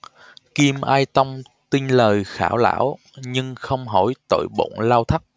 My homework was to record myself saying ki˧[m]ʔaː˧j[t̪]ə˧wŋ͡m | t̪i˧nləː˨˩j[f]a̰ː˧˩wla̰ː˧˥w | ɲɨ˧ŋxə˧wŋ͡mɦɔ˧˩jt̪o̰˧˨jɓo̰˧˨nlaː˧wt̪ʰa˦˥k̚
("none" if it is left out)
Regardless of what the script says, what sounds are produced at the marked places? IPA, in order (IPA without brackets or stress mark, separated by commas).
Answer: m, t̪, x